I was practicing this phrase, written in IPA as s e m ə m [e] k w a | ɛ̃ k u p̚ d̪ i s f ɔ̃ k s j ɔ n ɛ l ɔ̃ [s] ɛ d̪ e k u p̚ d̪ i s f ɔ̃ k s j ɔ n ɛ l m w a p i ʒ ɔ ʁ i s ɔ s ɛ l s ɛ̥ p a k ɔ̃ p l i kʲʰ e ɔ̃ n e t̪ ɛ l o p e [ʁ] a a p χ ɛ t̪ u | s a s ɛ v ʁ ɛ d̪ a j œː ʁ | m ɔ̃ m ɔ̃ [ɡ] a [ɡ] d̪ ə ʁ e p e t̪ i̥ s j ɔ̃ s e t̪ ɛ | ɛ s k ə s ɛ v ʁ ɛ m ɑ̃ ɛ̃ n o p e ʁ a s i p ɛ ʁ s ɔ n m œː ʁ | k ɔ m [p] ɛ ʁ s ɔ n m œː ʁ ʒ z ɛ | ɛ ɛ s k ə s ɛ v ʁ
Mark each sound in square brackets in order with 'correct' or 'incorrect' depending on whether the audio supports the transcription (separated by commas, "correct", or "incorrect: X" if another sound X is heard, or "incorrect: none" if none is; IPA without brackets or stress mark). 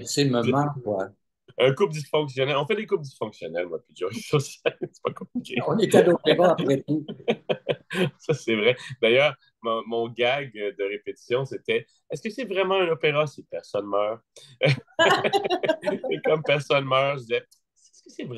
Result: incorrect: a, incorrect: f, correct, correct, correct, correct